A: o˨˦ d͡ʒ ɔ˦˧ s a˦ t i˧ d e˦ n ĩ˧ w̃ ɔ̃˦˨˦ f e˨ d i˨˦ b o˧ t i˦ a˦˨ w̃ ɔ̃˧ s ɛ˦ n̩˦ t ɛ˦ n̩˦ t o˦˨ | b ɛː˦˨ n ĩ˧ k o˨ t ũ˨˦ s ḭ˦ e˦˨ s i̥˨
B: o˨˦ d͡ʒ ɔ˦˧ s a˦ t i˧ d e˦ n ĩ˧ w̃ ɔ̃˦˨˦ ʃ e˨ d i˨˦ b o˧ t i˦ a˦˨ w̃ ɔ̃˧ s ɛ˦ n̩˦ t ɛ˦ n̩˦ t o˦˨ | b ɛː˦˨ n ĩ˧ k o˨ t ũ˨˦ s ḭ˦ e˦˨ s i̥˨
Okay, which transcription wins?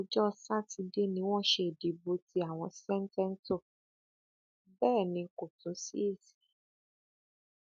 B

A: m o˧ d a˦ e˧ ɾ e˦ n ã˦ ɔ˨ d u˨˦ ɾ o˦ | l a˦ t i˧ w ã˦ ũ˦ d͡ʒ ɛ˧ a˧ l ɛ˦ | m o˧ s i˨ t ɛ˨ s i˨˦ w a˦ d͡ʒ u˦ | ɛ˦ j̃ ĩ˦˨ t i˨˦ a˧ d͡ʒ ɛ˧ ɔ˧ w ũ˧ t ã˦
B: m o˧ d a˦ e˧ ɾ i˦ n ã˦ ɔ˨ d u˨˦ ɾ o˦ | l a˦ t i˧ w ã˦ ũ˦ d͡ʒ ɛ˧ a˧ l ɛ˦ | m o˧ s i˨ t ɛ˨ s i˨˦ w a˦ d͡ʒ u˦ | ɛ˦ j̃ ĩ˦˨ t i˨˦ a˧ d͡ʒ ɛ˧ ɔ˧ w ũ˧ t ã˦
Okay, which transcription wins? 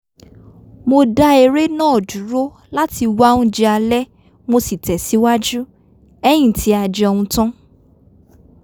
A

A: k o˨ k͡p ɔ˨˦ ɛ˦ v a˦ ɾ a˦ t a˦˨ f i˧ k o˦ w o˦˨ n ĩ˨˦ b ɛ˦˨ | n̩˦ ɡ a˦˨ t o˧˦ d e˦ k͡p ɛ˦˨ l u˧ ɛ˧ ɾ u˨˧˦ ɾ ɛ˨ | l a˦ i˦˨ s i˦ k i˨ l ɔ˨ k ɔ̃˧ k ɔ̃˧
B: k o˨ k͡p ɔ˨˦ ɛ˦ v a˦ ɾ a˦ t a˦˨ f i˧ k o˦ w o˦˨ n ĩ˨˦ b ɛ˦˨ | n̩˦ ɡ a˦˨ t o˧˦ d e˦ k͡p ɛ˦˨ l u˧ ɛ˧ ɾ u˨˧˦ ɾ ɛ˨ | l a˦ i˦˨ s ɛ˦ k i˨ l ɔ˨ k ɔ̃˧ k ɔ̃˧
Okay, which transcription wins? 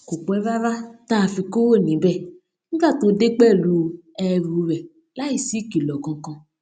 A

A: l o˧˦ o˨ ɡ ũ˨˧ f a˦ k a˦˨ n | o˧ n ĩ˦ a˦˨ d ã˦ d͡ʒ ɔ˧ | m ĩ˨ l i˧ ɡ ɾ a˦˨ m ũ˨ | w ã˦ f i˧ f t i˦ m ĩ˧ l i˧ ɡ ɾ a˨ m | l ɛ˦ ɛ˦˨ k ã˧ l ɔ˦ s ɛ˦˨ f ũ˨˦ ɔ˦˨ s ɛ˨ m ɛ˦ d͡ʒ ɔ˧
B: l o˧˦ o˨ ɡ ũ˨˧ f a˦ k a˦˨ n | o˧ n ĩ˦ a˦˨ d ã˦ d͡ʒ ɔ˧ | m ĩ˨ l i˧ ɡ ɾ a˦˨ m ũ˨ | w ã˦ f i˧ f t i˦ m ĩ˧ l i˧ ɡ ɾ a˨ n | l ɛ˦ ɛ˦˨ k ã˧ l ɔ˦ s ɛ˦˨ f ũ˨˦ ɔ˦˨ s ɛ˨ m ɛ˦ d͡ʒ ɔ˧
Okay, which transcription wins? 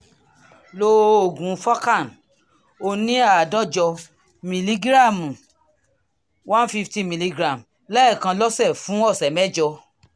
A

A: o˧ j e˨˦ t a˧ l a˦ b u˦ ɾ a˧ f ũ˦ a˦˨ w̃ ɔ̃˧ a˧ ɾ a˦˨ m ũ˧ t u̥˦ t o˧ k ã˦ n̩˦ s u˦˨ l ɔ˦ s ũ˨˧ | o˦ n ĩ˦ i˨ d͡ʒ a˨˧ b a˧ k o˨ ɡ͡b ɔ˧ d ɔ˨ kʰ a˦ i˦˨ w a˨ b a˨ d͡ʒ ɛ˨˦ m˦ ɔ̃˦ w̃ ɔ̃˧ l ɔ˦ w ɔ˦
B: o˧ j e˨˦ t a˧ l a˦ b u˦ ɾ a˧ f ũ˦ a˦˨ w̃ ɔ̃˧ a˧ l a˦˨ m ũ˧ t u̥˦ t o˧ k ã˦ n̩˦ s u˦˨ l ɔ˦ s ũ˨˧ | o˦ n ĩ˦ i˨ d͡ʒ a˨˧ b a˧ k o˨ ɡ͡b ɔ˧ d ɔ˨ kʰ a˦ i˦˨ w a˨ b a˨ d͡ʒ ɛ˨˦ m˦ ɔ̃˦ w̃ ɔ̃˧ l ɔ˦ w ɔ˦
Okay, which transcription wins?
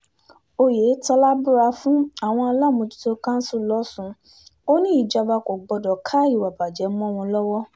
B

